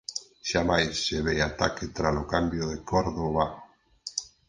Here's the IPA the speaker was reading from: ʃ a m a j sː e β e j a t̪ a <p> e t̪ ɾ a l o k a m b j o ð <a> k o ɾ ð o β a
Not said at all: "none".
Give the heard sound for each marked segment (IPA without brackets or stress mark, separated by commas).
k, e